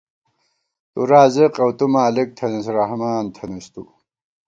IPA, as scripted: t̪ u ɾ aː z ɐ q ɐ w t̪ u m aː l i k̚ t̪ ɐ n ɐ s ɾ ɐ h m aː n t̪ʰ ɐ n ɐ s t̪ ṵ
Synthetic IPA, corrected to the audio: t̪ u ɾ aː z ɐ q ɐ w t̪ u m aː l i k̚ t̪ʰ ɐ n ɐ s ɾ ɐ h m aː n t̪ʰ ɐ n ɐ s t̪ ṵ

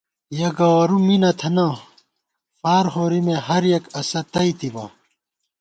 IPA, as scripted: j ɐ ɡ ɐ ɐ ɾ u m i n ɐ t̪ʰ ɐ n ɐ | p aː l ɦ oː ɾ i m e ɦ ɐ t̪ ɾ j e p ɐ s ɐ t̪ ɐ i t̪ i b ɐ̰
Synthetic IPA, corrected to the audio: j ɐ ɡ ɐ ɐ ɾ u m i n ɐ t̪ʰ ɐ n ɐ | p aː ɾ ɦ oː ɾ i m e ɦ ɐ ɾ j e k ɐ s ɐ t̪ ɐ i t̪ i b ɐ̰

